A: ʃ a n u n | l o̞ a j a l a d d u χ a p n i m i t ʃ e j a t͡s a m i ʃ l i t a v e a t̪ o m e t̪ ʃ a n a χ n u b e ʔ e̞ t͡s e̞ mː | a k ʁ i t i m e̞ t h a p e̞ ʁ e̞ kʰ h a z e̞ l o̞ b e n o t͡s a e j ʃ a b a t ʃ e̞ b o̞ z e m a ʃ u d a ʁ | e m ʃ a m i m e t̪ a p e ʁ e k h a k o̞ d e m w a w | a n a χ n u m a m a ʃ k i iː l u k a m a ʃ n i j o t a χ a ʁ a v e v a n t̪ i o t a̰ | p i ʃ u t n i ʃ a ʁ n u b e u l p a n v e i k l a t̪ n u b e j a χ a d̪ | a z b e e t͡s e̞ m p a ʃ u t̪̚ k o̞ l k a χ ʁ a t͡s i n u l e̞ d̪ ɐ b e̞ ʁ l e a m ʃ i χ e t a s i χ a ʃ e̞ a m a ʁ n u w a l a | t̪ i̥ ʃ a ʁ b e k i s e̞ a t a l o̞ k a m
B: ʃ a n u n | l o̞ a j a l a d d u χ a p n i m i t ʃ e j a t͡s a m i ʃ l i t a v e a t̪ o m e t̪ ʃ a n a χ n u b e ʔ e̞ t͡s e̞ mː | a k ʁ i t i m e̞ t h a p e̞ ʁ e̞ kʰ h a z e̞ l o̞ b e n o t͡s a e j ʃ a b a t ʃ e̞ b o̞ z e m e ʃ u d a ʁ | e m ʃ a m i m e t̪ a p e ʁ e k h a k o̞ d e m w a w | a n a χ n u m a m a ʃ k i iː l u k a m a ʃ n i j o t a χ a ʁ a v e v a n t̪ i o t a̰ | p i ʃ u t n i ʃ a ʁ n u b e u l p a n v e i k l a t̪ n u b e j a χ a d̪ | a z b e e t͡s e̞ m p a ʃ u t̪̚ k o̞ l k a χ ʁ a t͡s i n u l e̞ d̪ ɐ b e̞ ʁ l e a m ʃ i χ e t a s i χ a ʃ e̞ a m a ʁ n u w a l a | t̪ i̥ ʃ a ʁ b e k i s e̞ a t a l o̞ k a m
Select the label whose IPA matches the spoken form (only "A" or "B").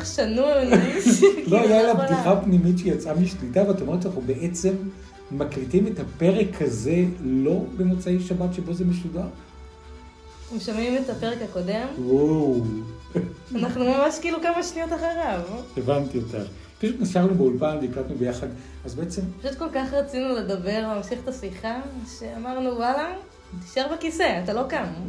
B